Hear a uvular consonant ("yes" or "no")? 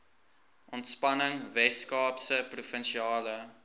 no